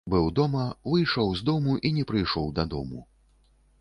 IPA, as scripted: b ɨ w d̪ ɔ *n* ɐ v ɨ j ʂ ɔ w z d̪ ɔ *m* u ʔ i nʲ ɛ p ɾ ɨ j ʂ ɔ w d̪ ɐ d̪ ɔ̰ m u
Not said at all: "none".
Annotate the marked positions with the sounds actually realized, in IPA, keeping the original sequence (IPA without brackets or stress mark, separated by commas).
m, m